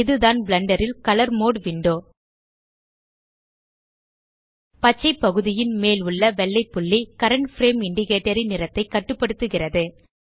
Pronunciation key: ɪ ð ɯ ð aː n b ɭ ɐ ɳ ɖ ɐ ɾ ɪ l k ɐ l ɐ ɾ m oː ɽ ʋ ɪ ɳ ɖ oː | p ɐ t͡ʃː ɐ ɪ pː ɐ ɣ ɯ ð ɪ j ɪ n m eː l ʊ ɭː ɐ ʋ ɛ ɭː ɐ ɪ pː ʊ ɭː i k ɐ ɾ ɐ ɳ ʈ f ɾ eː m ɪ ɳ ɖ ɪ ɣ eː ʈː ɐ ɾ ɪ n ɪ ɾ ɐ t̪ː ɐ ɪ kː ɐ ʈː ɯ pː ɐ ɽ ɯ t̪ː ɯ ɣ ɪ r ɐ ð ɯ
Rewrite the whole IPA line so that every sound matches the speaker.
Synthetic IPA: ɪ ð ɯ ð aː n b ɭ ɐ ɳ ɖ ɐ ɾ ɪ l k ɐ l ɐ ɾ m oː ɽ ʋ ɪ ɳ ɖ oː | p ɐ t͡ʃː ɐ ɪ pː ɐ ɣ ɯ ð ɪ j ɪ n m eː l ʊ ɭː ɐ ʋ ɛ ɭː ɐ ɪ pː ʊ ɭː i k ɐ ɾ ɐ ɳ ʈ f ɾ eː m ɪ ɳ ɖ ɪ ɣ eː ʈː ɐ ɾ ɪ n ɪ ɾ ɐ t̪ː ɐ ɪ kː ɐ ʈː ɯ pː ɐ ɽ ɯ t̪ː ɯ ɣ ɪ r ɐ ð ɯ